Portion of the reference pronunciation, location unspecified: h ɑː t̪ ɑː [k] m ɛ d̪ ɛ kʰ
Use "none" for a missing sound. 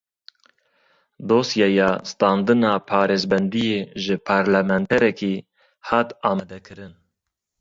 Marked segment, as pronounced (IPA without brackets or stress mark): none